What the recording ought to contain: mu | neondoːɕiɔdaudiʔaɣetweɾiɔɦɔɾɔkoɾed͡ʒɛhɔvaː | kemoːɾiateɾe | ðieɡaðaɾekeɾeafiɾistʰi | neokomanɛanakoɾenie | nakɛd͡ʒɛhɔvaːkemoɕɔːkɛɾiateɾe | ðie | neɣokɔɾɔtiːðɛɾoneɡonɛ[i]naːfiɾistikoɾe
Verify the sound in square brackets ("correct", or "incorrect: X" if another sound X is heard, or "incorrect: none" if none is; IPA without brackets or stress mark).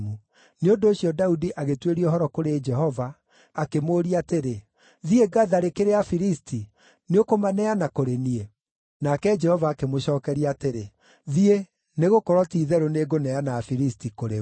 incorrect: a